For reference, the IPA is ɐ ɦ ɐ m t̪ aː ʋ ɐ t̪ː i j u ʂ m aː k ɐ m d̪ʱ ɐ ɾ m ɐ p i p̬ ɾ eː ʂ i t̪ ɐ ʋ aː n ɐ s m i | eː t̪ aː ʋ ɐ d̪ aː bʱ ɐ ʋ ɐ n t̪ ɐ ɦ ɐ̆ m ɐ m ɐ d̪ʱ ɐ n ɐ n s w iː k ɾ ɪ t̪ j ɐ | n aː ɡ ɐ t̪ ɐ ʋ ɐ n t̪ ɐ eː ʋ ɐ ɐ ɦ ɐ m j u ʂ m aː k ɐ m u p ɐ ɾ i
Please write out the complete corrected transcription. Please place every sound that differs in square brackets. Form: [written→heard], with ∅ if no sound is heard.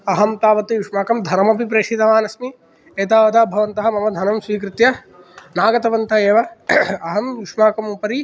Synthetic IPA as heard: ɐ ɦ ɐ m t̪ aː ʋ ɐ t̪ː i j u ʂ m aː k ɐ m d̪ʱ ɐ ɾ m ɐ p i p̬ ɾ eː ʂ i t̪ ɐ ʋ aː n ɐ s m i | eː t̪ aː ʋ ɐ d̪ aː bʱ ɐ ʋ ɐ n t̪ ɐ ɦ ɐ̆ m ɐ m ɐ d̪ʱ ɐ n ɐ [n→m] s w iː k ɾ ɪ t̪ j ɐ | n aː ɡ ɐ t̪ ɐ ʋ ɐ n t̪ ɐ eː ʋ ɐ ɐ ɦ ɐ m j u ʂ m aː k ɐ m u p ɐ ɾ i